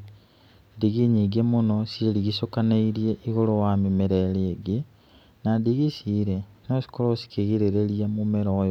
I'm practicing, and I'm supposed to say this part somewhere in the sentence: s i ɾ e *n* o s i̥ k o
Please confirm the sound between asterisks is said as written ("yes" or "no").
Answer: yes